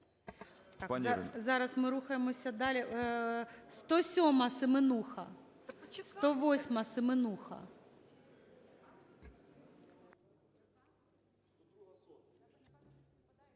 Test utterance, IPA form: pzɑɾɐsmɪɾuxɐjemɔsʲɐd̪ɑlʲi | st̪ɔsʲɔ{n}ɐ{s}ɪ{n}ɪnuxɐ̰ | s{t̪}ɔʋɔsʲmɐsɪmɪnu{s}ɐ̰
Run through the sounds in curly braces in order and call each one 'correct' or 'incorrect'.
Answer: incorrect, correct, incorrect, correct, incorrect

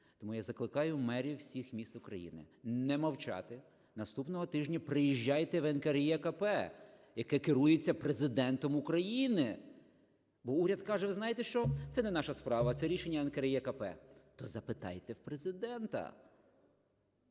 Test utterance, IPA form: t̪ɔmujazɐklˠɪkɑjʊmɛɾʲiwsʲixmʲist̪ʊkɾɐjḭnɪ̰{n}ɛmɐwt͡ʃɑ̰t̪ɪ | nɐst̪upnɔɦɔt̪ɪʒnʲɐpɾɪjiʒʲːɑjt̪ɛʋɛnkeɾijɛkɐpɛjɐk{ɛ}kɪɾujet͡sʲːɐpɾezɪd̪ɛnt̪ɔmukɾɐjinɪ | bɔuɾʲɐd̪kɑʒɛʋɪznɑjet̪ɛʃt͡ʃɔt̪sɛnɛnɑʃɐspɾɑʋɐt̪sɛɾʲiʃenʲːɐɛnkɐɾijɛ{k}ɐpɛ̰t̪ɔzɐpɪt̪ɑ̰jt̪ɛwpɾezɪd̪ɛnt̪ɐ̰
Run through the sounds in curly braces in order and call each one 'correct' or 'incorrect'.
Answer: correct, correct, correct

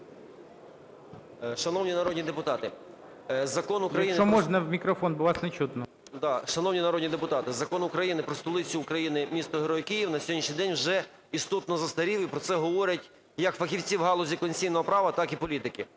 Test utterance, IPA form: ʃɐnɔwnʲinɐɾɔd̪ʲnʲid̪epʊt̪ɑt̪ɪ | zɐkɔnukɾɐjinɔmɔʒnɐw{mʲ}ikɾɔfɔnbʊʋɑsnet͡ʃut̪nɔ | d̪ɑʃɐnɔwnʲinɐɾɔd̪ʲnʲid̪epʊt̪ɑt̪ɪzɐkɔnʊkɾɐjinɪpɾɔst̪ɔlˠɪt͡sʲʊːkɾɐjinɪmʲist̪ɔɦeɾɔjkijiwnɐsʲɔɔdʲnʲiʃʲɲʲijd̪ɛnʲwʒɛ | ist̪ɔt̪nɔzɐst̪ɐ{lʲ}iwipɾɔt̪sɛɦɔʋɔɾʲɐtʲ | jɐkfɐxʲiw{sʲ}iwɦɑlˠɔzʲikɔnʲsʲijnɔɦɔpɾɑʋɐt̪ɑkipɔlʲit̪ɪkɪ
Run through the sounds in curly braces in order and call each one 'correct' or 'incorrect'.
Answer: correct, incorrect, incorrect

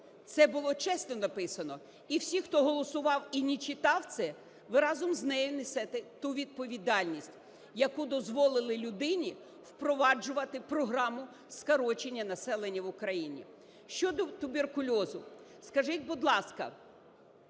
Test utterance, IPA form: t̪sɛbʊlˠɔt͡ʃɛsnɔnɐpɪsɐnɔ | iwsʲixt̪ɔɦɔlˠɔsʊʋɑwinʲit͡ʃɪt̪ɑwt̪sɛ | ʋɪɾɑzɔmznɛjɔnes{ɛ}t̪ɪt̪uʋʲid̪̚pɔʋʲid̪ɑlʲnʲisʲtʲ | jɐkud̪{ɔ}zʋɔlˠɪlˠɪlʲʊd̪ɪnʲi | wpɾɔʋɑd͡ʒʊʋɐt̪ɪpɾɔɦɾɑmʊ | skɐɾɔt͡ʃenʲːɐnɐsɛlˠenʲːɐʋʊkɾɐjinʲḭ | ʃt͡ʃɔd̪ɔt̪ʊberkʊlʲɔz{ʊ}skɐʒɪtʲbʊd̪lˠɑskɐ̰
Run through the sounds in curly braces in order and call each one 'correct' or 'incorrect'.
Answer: correct, correct, correct

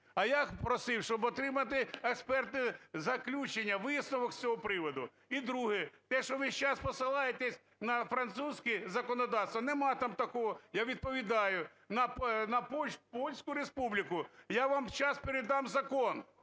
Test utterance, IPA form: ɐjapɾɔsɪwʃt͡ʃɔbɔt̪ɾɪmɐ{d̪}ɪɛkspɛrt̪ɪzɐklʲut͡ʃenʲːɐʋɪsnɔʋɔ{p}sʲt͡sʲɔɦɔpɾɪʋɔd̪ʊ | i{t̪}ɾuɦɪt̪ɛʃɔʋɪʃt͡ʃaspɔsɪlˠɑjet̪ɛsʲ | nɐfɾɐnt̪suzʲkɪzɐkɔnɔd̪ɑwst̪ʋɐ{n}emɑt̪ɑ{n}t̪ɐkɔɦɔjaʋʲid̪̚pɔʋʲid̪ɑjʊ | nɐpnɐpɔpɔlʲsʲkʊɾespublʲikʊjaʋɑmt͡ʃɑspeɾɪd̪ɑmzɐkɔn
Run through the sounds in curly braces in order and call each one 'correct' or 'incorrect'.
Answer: incorrect, incorrect, incorrect, correct, incorrect

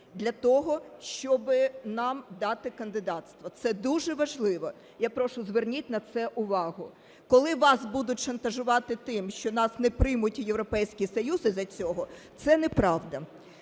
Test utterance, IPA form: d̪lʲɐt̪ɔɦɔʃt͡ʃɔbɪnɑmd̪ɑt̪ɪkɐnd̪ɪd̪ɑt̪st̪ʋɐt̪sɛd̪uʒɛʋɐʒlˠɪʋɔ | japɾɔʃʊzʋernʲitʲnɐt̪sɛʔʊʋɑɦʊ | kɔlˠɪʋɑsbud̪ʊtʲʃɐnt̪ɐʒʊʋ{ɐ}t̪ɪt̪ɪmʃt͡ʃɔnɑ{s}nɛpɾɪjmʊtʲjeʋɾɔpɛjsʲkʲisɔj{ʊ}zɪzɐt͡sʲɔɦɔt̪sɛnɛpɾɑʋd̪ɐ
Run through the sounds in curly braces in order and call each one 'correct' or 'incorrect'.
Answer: incorrect, correct, incorrect

